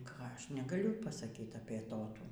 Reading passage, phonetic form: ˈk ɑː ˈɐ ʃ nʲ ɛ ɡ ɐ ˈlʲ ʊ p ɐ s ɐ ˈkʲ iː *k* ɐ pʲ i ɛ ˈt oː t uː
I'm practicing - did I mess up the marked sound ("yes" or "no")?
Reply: yes